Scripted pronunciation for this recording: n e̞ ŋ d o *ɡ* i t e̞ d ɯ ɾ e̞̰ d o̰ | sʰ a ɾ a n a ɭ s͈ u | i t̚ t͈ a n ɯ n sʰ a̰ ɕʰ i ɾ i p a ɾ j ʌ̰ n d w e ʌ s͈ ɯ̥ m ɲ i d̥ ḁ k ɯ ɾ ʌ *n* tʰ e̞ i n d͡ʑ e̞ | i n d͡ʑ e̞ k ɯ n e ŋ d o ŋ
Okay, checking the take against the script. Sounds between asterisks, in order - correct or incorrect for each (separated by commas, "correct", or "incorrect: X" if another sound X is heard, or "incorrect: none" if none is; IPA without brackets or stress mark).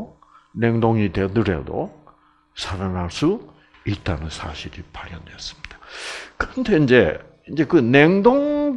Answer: incorrect: ŋ, correct